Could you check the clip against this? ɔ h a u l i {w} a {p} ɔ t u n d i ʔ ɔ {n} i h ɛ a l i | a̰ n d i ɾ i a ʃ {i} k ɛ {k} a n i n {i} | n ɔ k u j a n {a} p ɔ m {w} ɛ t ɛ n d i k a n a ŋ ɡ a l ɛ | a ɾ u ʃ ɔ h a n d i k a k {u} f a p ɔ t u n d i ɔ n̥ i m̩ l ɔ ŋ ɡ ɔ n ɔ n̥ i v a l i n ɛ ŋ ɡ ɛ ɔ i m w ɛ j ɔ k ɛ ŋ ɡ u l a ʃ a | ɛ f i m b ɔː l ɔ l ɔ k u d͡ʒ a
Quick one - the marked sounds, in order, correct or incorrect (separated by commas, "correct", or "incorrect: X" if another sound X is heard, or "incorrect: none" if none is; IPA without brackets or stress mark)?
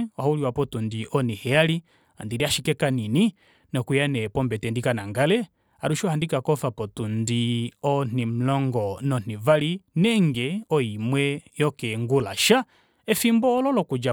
correct, correct, correct, correct, correct, correct, incorrect: ɛ, incorrect: b, incorrect: ɔ